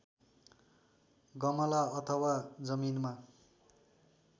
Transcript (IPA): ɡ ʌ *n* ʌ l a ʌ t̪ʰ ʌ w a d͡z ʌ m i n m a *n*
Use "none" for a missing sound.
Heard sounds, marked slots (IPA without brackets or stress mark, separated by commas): m, none